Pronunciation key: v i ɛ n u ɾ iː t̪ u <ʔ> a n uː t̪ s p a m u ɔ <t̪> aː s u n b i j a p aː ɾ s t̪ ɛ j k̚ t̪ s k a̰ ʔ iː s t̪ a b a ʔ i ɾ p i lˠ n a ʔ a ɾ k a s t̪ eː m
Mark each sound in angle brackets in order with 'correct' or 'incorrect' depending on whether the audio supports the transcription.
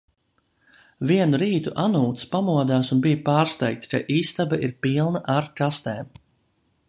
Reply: correct, incorrect: d̪

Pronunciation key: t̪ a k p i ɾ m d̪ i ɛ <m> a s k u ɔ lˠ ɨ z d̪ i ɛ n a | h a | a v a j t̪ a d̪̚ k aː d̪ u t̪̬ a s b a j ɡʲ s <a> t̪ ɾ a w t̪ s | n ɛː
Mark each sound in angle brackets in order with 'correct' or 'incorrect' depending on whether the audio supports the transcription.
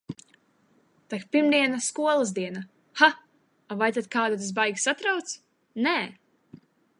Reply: incorrect: n, correct

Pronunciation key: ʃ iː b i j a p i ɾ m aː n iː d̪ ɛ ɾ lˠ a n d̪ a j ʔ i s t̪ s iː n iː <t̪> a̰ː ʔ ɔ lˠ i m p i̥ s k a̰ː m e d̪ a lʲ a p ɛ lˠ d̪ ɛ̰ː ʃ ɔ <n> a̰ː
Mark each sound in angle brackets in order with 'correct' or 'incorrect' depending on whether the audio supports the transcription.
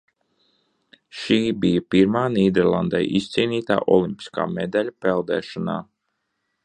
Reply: correct, correct

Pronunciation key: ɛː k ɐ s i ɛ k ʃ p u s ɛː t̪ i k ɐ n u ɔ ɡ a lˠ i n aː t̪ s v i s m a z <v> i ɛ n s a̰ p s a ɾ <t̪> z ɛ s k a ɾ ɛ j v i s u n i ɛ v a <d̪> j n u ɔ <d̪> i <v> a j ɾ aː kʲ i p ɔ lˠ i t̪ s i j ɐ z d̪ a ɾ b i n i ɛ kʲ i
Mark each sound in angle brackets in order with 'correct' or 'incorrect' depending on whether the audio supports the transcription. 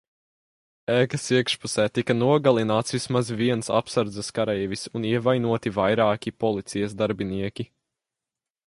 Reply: correct, incorrect: d̪, incorrect: none, incorrect: t̪, correct

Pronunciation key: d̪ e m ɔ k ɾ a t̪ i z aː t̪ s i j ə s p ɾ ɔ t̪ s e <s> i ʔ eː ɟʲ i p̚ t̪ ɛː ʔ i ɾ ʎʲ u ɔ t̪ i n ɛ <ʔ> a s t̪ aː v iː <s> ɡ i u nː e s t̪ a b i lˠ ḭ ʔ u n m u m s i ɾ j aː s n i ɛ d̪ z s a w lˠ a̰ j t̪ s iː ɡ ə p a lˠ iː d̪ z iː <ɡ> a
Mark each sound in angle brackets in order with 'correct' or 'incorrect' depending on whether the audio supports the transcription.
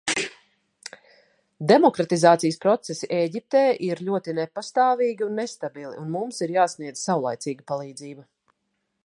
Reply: correct, incorrect: p, incorrect: none, incorrect: b

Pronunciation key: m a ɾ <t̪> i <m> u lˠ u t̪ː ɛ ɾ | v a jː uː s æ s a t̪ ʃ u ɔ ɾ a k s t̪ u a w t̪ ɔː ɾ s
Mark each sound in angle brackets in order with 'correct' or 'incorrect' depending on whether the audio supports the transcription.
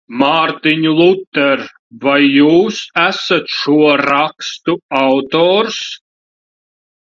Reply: correct, incorrect: ɲ

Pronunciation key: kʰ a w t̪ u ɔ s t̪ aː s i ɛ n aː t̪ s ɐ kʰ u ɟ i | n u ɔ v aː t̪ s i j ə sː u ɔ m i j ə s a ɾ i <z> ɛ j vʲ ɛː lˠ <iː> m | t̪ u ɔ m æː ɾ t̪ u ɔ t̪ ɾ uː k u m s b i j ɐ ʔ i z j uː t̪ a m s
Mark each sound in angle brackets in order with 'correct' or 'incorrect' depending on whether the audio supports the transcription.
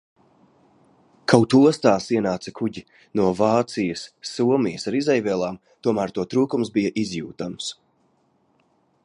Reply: correct, incorrect: aː

